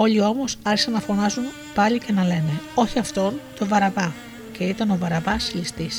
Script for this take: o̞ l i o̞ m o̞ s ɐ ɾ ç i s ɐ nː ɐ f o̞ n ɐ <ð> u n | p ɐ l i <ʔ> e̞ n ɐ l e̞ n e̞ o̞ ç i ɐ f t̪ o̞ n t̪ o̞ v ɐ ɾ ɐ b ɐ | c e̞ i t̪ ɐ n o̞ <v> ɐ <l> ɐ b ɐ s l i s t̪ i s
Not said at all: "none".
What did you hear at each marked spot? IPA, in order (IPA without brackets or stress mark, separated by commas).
z, c, v, ɾ